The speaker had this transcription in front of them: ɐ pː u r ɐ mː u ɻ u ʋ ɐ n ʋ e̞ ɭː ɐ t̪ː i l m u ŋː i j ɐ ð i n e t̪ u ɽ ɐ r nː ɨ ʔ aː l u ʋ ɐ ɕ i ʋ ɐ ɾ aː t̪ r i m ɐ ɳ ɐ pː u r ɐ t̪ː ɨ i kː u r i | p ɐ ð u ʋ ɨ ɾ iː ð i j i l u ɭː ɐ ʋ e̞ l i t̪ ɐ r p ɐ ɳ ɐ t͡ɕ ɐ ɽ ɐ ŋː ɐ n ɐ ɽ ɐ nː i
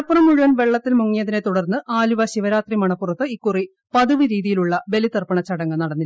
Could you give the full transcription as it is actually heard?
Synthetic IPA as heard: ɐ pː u r ɐ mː u ɻ u ʋ ɐ n ʋ e̞ ɭː ɐ t̪ː i l m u ŋː i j ɐ ð i n e t̪ u ɽ ɐ r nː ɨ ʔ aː l u ʋ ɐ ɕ i ʋ ɐ ɾ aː t̪ r i m ɐ ɳ ɐ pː u r ɐ t̪ː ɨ i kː u r i | p ɐ ð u ʋ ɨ ɾ iː ð i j i l u ɭː ɐ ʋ e̞ l i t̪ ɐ r p ɐ ɳ ɐ t͡ɕ ɐ ɽ ɐ ŋː ɐ n ɐ ɽ ɐ nː i